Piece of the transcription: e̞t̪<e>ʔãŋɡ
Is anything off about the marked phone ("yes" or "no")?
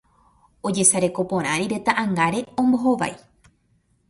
yes